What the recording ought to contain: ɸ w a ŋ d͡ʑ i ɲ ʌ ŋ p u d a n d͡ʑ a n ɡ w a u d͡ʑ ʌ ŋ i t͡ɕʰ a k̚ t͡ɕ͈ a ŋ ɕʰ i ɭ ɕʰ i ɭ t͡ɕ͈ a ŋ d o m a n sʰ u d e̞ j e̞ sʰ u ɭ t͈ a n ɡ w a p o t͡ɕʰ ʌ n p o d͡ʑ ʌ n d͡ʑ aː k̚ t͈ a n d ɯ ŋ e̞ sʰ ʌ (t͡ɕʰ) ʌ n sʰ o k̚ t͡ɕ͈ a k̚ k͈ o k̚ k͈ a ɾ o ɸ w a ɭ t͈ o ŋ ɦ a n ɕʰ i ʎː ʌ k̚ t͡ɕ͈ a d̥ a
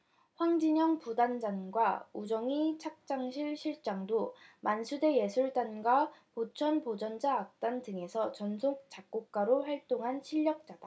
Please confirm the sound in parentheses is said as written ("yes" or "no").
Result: no